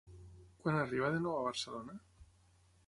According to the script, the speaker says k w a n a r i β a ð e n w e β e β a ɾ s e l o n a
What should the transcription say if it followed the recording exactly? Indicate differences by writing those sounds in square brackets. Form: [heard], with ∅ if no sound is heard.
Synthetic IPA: k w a n a r i β a ð e n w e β [a] β a ɾ s e l o n a